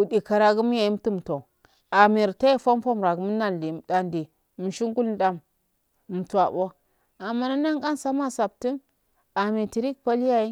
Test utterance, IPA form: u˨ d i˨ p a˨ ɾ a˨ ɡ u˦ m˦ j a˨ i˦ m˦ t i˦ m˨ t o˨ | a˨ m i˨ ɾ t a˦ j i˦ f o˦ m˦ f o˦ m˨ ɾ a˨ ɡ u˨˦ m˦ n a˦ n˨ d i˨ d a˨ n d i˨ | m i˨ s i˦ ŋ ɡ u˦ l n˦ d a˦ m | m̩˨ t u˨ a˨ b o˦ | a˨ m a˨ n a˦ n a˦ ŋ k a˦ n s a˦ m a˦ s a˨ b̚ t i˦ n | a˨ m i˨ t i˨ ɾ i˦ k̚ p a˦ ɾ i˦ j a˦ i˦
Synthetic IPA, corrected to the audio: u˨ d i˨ k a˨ ɾ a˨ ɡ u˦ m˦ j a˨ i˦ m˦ t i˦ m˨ t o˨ | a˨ m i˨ ɾ t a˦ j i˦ f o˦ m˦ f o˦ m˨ ɾ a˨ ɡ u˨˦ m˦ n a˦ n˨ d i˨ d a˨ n d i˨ | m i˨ ʃ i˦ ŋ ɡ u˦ l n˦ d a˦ m | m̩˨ t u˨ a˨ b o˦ | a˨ m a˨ n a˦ n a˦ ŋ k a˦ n s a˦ m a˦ s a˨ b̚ t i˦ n | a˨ m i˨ t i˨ ɾ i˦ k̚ p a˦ l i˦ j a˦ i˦